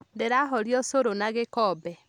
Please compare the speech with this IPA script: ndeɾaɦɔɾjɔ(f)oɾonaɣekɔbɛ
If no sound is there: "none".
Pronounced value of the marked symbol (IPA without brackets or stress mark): s